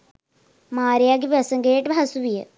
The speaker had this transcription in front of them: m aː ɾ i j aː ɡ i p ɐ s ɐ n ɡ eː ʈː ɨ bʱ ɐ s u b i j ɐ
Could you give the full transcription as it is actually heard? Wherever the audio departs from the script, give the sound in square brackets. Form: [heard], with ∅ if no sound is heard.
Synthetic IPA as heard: m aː ɾ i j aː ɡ i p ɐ s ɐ [ŋ] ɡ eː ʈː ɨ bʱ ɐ s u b i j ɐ